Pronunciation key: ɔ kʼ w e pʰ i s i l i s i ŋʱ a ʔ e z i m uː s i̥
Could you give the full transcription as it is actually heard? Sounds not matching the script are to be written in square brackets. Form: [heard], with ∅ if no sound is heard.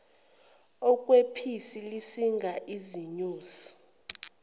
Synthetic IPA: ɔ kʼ w e pʰ i s i l i s i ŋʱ a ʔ [i] z i [ɲ] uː s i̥